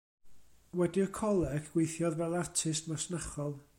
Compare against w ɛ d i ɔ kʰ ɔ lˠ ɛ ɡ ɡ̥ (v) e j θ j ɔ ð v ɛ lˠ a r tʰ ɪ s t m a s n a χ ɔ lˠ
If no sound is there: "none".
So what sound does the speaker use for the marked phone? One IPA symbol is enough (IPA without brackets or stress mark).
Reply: w